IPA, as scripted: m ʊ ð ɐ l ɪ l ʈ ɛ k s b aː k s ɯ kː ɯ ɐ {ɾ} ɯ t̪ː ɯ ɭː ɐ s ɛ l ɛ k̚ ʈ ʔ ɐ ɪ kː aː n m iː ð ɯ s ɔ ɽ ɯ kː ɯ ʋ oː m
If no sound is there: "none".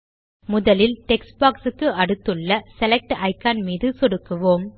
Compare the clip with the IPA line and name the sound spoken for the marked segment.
ɽ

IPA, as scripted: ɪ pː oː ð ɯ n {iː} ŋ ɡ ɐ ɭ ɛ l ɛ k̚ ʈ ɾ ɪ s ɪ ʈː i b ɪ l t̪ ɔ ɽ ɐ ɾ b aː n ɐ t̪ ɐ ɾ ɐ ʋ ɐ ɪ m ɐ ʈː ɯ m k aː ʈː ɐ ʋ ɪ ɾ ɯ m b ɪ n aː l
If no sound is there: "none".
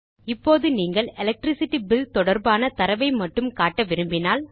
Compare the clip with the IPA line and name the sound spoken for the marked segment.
iː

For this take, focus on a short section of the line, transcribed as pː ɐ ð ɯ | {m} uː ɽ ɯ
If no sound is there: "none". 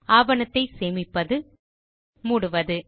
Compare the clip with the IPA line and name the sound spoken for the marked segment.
m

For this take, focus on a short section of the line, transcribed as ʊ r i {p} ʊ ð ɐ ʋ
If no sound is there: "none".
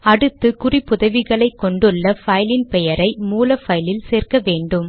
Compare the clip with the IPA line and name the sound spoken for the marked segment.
p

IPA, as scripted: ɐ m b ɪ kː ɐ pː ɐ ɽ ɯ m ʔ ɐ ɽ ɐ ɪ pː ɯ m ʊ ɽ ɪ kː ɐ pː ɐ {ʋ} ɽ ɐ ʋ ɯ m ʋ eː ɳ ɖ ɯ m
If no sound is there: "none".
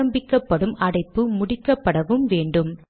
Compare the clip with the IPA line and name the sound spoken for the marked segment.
none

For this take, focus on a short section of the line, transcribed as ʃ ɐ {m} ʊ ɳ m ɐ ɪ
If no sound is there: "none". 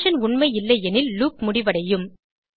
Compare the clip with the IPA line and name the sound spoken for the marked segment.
n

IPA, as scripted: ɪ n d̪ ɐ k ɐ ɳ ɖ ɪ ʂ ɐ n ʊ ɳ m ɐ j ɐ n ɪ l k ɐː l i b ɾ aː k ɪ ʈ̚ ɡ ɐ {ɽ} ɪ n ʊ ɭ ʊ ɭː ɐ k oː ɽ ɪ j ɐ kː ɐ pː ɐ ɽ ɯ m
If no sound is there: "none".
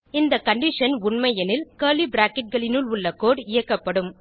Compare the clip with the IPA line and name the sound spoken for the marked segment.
ɭ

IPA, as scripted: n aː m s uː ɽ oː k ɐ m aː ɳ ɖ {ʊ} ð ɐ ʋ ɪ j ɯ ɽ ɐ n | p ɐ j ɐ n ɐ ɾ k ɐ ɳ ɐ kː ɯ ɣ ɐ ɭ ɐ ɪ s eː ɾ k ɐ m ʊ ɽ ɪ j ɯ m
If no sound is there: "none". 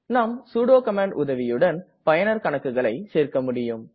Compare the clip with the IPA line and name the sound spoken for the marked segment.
ʊ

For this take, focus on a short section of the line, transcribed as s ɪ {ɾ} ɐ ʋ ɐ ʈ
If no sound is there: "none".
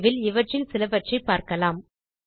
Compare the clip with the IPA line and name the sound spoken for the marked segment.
l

